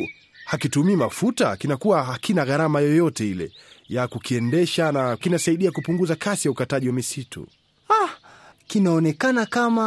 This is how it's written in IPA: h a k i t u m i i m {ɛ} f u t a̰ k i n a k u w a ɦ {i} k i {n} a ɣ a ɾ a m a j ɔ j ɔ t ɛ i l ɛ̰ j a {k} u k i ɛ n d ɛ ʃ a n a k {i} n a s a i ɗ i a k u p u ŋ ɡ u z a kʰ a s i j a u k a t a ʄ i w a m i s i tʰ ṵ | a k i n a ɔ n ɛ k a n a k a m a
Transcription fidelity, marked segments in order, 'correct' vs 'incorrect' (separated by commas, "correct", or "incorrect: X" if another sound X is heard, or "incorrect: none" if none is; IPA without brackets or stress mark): incorrect: a, incorrect: a, correct, correct, correct